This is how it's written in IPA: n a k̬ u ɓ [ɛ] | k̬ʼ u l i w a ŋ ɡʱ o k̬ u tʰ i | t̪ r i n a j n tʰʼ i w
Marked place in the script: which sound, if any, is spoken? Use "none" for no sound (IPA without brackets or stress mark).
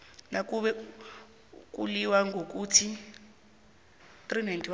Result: ɛ